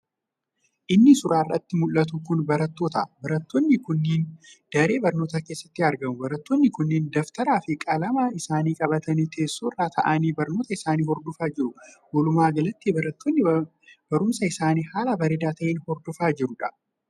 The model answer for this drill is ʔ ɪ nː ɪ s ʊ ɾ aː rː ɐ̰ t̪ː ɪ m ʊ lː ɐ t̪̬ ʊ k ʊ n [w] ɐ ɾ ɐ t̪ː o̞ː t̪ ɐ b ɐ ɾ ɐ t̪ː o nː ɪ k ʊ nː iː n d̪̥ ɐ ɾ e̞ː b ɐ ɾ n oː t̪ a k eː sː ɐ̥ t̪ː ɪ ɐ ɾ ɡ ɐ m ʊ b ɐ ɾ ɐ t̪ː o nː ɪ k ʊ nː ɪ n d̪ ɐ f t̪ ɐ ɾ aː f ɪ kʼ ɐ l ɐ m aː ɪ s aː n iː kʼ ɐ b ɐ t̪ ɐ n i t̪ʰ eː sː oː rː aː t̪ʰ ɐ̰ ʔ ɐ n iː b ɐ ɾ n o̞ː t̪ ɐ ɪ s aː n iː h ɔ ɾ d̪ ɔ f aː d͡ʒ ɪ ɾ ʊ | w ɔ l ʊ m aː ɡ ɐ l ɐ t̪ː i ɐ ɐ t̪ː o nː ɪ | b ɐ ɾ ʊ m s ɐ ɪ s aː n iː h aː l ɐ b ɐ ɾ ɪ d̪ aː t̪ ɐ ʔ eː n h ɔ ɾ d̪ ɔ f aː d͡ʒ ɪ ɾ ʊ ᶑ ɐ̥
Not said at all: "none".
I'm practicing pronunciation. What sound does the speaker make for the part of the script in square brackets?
b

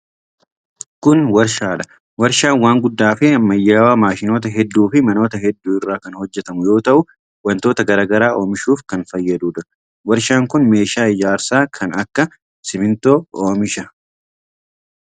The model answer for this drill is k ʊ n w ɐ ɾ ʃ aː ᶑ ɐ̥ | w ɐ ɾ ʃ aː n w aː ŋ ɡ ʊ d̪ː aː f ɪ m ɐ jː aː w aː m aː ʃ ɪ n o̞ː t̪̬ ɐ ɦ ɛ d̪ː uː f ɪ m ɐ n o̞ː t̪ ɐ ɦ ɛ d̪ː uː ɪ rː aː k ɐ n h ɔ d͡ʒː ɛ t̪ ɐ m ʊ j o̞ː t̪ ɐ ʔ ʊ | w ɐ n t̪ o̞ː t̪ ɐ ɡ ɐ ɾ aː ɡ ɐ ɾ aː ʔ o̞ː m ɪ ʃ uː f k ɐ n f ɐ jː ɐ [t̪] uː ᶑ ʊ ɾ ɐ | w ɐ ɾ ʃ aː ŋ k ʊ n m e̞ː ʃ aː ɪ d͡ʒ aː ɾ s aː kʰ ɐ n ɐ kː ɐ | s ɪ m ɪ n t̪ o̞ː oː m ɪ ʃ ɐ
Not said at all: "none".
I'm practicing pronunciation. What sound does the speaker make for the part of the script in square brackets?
d̪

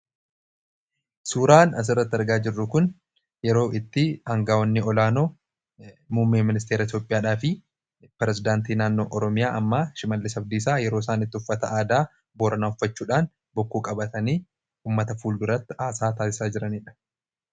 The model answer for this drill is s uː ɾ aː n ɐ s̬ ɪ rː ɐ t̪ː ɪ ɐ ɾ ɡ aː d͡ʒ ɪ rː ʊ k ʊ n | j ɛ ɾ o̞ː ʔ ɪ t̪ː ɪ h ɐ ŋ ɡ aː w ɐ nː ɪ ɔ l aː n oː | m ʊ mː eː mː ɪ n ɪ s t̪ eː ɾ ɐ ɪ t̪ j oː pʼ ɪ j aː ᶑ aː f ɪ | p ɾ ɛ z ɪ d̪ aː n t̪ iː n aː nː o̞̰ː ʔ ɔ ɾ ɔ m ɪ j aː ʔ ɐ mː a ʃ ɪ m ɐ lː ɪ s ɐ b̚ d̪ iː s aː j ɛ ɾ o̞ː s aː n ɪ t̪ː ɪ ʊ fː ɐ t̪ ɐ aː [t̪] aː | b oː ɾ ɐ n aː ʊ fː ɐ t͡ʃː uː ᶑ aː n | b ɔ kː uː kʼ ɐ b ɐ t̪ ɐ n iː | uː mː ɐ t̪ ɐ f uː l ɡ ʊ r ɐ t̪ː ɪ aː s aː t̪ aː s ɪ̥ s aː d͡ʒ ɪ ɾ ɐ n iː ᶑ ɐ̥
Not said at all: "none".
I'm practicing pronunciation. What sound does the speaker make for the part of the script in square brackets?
d̪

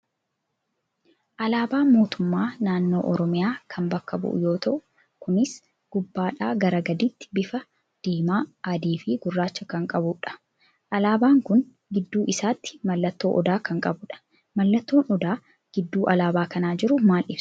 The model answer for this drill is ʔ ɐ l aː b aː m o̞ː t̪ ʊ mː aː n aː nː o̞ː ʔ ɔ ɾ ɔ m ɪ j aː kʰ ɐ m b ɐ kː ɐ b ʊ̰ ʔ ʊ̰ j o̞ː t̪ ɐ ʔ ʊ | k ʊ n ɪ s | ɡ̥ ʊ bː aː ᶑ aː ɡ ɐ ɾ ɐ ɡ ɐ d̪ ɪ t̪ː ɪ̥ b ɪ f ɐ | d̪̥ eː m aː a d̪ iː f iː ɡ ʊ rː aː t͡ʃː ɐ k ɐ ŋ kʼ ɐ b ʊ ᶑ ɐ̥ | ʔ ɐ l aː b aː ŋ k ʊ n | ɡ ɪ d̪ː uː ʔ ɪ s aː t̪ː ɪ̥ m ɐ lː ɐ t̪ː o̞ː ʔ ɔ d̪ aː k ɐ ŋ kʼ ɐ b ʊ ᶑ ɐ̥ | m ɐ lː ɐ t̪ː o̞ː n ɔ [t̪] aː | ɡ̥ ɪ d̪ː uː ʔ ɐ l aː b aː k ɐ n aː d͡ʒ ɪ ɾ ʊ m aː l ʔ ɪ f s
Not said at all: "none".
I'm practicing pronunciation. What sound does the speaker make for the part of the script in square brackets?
d̪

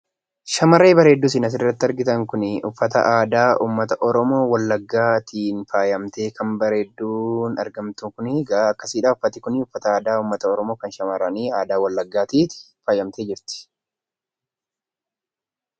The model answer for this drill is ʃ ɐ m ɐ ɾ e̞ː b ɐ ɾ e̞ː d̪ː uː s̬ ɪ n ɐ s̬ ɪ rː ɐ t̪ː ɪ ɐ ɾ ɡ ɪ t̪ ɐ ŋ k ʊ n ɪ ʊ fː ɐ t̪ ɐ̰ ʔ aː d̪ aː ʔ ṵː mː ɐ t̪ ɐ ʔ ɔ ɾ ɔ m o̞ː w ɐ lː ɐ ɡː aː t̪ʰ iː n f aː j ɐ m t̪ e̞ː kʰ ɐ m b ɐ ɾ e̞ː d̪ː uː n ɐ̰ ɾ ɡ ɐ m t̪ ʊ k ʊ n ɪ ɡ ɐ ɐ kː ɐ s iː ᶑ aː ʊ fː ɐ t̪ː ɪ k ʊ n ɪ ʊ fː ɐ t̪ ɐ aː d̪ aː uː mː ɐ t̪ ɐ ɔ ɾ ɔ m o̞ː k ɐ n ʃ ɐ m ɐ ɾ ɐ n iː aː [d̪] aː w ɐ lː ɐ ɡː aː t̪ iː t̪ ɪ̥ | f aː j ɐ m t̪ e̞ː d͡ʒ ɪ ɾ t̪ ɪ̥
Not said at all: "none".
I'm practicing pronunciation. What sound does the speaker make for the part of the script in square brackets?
d̪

